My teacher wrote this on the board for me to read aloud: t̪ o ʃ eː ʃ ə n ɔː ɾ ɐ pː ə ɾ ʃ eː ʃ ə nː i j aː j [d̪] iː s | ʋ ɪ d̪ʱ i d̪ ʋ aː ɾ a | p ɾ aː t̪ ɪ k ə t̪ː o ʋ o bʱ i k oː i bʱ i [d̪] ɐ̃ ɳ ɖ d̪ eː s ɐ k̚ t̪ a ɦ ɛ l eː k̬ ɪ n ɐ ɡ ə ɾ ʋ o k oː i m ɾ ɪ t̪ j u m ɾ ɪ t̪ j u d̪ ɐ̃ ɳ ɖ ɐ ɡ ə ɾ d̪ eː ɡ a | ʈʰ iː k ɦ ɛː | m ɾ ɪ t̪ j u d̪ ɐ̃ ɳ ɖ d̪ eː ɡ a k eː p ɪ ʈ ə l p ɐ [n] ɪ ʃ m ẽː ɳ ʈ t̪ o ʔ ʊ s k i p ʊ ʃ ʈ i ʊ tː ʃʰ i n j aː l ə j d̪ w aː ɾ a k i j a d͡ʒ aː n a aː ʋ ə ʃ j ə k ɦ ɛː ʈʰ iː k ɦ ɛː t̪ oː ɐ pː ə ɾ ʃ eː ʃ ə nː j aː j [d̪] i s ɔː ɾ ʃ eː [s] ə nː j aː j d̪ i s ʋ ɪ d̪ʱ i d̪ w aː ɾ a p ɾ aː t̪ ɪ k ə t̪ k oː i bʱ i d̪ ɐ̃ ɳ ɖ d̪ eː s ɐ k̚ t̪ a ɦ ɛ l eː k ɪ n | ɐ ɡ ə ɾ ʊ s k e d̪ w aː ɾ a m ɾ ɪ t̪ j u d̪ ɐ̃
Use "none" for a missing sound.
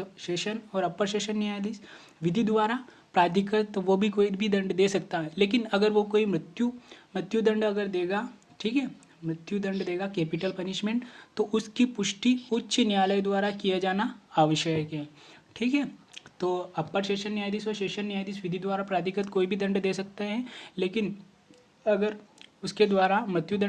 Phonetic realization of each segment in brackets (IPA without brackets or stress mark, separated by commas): d̪, d̪, n, d̪, ʃ